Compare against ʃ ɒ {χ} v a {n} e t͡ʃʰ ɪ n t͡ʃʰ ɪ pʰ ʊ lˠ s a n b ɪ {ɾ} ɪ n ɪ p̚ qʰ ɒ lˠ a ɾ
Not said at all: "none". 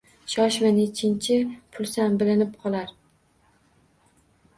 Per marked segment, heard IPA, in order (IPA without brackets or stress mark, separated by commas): ʃ, n, l